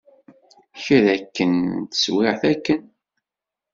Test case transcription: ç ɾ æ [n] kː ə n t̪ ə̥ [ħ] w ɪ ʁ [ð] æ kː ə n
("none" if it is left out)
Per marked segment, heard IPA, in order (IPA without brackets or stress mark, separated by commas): none, s, θ